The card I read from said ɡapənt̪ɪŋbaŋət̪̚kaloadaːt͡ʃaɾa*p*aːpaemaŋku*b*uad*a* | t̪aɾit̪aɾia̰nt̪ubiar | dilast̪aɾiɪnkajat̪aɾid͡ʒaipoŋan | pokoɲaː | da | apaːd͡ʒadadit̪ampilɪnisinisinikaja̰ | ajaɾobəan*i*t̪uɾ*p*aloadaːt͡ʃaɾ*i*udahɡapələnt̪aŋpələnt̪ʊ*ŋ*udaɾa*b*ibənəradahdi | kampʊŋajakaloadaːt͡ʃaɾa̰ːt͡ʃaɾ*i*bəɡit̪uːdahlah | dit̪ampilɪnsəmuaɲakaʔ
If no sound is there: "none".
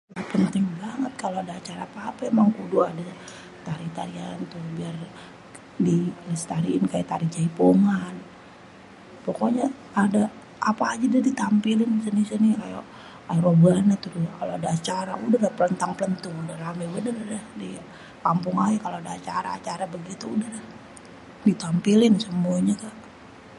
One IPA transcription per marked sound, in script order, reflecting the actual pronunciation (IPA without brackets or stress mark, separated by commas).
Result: p, d, a, a, k, a, ŋ, m, a